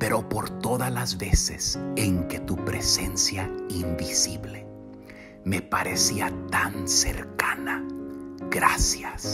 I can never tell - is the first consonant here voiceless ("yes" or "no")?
yes